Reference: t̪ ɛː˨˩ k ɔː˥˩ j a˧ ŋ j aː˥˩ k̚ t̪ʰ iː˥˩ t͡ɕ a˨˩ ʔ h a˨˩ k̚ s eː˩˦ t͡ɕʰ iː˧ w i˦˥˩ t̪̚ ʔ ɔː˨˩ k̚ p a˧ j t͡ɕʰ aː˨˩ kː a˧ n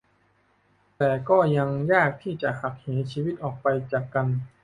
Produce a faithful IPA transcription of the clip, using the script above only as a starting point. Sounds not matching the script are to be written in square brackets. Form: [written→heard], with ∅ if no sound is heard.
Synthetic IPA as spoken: t̪ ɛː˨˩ k ɔː˥˩ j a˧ ŋ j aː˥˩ k̚ t̪ʰ iː˥˩ t͡ɕ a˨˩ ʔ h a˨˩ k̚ [s→h] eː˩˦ t͡ɕʰ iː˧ w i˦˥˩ t̪̚ ʔ ɔː˨˩ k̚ p a˧ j [t͡ɕʰ→t͡ɕ] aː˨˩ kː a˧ n